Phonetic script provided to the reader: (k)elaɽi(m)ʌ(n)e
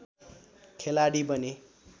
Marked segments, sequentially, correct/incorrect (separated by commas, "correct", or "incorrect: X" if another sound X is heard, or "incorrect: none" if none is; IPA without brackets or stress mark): incorrect: kʰ, incorrect: b, correct